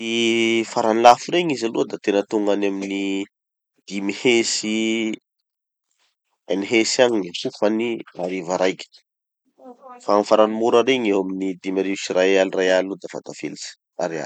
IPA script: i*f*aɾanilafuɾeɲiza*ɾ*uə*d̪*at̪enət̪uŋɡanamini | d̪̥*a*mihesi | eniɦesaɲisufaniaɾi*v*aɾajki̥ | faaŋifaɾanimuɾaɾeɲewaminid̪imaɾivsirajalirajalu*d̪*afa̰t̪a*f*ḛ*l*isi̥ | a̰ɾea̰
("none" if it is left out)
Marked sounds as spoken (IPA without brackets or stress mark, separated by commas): f, l, d̪, i, v, d̪, f, l